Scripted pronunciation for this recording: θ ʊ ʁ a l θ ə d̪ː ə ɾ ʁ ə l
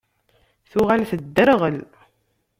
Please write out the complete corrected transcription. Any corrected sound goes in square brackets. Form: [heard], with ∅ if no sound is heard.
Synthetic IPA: θ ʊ ʁ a l θ ə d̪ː ə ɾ ʁ ə l